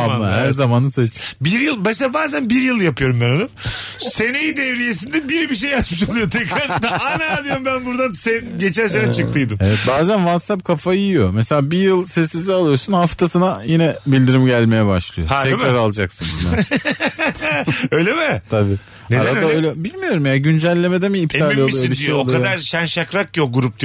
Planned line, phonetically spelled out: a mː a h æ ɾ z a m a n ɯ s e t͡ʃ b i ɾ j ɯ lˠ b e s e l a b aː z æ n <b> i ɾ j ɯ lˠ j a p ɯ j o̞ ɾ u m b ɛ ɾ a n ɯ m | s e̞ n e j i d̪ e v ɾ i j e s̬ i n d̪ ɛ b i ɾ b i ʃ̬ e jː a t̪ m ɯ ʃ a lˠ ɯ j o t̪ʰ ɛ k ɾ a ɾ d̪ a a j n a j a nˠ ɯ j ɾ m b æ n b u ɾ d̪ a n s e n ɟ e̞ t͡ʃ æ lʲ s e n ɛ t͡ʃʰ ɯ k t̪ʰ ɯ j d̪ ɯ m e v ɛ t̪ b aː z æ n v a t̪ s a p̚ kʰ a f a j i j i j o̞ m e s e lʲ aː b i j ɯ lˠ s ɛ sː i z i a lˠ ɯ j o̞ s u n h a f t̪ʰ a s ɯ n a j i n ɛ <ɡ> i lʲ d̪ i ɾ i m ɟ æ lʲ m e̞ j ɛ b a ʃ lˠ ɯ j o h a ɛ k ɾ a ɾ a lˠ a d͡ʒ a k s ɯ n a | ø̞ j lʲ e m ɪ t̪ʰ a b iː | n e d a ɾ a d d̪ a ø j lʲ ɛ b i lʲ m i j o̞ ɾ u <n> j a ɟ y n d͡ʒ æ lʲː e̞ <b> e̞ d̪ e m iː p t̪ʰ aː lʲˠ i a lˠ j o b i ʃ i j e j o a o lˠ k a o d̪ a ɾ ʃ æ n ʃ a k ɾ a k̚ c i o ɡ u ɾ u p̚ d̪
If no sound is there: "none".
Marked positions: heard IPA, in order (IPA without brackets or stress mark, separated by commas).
b, b, m, m